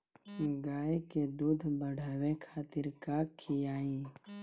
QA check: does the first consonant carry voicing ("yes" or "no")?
yes